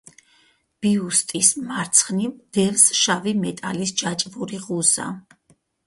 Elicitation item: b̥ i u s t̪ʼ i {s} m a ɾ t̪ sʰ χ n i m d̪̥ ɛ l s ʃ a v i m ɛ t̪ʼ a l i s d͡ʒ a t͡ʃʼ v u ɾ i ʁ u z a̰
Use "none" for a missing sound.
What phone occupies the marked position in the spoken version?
s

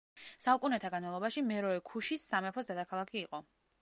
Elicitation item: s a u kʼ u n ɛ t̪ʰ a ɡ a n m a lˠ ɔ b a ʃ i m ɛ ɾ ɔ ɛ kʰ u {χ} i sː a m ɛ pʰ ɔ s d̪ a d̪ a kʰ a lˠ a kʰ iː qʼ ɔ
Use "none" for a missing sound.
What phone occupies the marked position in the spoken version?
ʃ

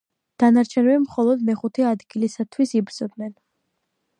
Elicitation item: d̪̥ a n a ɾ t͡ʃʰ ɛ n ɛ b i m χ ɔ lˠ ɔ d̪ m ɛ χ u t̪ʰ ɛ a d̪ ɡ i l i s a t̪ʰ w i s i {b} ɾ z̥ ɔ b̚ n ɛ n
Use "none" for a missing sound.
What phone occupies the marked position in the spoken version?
b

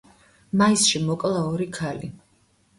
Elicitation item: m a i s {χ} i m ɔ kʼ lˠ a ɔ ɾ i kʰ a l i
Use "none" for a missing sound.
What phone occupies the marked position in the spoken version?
ʃ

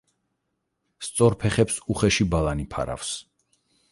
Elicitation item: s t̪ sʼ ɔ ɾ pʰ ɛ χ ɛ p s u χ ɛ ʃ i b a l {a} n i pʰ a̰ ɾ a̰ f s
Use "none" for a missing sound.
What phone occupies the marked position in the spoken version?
a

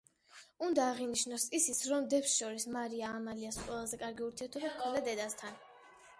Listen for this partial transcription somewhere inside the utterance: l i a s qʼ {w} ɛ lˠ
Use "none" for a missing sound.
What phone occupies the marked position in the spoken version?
w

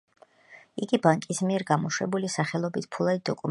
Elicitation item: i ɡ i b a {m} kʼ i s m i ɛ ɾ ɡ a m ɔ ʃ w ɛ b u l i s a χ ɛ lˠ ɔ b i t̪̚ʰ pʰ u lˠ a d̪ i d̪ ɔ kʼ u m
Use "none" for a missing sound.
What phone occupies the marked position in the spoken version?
ŋ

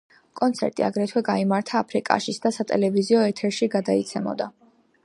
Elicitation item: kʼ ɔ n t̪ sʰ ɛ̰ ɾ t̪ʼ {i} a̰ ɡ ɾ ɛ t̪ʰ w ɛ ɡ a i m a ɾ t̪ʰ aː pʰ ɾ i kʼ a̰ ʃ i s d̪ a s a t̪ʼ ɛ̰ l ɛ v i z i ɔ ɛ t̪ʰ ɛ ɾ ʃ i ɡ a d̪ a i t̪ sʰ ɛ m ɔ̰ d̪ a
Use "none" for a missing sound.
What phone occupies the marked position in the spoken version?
i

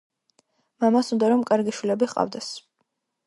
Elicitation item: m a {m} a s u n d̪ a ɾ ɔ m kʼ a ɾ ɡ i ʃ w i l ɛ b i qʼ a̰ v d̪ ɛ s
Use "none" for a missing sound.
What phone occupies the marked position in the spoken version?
m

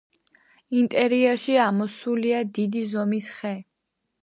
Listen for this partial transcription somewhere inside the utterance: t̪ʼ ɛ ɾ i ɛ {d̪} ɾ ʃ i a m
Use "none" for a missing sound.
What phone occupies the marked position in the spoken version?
none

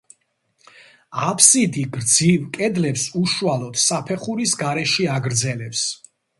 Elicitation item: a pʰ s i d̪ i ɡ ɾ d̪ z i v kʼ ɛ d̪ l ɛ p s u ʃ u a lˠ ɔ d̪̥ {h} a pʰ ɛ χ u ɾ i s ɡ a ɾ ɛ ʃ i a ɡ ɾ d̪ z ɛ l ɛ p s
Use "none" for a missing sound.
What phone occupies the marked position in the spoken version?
s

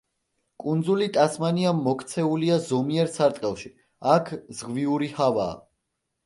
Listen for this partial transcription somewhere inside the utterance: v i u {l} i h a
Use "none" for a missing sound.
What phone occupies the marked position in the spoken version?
ɾ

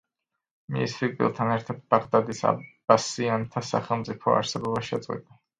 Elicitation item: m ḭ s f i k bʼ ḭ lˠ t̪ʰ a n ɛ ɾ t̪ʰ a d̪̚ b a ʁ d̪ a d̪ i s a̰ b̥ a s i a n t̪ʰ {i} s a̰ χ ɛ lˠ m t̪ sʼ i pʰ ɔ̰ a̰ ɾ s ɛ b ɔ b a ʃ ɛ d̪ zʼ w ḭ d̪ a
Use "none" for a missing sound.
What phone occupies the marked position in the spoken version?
a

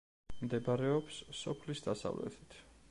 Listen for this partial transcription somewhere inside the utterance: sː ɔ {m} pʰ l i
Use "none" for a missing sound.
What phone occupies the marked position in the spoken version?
none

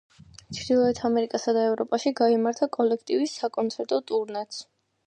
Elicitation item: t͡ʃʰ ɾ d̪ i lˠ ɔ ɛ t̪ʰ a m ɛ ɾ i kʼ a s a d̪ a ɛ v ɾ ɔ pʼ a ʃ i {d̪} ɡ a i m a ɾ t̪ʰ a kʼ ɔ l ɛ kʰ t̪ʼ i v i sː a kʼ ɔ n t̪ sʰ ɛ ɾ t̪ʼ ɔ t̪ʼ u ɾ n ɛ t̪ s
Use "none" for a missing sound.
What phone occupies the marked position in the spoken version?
none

